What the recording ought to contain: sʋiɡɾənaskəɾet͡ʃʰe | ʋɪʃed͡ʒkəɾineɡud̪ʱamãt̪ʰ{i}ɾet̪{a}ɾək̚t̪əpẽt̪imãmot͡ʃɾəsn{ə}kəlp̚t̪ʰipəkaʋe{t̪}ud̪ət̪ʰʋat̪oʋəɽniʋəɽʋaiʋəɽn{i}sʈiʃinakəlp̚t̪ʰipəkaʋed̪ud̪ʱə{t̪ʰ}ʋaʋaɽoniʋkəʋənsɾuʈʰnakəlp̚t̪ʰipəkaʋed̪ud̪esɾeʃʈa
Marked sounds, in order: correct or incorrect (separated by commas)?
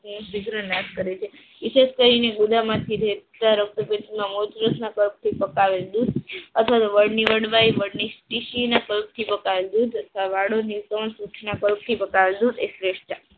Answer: correct, correct, incorrect, incorrect, correct, correct